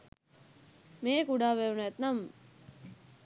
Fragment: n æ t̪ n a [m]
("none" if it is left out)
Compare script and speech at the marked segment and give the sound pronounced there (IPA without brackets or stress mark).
m